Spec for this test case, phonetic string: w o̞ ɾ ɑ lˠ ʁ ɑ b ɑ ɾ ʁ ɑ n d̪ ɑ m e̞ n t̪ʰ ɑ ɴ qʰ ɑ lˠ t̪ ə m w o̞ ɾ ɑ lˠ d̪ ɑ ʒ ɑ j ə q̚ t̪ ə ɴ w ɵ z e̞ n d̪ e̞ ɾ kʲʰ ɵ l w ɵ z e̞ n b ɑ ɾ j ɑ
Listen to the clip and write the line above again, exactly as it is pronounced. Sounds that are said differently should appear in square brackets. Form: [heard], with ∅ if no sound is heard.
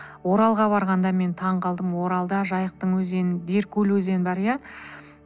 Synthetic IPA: w o̞ ɾ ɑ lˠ ʁ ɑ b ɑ ɾ ʁ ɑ n d̪ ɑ m e̞ n t̪ʰ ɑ ɴ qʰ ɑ lˠ [d̪] ə m w o̞ ɾ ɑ lˠ d̪ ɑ ʒ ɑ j ə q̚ t̪ ə ɴ w ɵ z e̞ n d̪ e̞ ɾ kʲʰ ɵ l w ɵ z e̞ n b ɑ ɾ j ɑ